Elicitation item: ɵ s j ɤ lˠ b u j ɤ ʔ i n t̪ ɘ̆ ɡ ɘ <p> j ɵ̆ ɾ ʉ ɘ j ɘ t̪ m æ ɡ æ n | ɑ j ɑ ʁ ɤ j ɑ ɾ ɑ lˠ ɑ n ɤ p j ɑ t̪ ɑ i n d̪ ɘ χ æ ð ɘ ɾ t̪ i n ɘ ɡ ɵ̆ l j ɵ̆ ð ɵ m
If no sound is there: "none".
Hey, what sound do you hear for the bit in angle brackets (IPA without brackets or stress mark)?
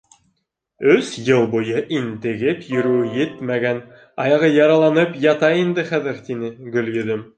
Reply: p